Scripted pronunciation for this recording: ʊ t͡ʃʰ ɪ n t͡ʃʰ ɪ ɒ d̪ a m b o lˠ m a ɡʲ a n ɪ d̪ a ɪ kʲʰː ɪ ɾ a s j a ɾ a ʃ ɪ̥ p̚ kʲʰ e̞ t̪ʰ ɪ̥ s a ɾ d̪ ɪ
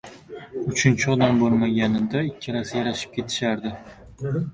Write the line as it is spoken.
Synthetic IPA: ʊ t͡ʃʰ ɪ n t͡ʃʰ ɪ ɒ d̪ a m b o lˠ m a ɡʲ a n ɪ d̪ a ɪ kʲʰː ɪ ɾ a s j a ɾ a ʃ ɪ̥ p̚ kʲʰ e̞ t̪ʰ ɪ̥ ʃ a ɾ d̪ ɪ